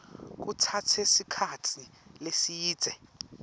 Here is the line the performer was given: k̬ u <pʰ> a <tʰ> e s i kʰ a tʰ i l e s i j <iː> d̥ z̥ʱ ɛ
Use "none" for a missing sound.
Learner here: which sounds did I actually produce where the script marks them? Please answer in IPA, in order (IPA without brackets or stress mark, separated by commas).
tʰ, tʰ, iː